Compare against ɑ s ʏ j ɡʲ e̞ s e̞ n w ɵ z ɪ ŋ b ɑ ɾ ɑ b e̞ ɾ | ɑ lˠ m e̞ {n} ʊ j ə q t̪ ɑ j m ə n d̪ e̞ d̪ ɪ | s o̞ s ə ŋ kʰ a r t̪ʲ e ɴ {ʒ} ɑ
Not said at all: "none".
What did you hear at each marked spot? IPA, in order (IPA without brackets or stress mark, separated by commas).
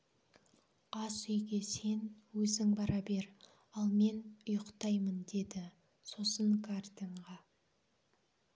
n, ʁ